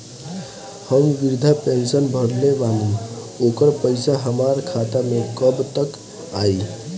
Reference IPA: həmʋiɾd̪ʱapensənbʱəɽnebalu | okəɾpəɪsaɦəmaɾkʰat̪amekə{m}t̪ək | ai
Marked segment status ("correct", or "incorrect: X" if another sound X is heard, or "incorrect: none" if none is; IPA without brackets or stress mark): incorrect: b